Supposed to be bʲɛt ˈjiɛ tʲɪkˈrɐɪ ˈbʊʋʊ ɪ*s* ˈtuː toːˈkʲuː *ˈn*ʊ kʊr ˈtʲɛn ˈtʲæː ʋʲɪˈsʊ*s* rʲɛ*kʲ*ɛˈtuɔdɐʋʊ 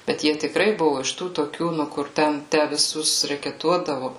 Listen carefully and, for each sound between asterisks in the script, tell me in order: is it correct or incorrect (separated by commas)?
incorrect, correct, correct, correct